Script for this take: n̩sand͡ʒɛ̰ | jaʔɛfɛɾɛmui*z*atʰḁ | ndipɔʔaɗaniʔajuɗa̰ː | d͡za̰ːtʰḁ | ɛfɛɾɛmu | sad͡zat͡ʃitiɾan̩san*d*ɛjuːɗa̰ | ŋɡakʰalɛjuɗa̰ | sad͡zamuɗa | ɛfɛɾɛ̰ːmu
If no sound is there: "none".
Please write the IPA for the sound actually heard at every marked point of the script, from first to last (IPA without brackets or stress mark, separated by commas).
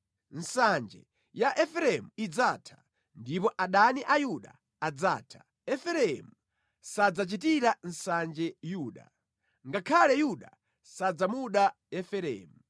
d͡z, d͡ʒ